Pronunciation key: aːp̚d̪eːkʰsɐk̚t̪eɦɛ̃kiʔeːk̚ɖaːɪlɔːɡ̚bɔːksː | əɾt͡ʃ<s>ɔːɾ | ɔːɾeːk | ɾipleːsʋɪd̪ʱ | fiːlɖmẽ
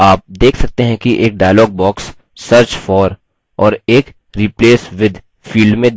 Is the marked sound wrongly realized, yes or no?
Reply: yes